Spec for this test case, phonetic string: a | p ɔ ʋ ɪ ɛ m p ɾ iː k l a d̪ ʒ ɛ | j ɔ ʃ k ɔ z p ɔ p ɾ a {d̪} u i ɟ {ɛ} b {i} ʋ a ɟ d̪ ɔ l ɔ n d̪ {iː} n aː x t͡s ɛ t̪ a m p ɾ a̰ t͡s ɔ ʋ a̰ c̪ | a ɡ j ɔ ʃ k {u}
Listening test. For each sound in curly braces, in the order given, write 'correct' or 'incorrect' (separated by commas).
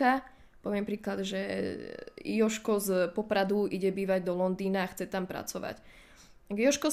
correct, correct, incorrect, correct, incorrect